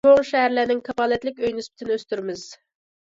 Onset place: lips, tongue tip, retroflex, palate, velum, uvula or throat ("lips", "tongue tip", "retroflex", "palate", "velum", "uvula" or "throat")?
velum